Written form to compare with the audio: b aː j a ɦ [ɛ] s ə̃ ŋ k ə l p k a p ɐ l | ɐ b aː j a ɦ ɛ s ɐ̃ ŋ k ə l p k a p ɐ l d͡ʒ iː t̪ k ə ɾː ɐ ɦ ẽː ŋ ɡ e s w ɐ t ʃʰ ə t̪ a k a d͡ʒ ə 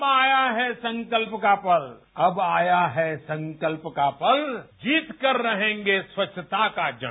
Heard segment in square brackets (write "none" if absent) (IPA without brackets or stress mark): ɛ